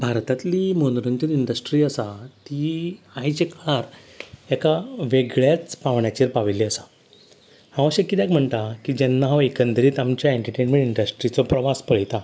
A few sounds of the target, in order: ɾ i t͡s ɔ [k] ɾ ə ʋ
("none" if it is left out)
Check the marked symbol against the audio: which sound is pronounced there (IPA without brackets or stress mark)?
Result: p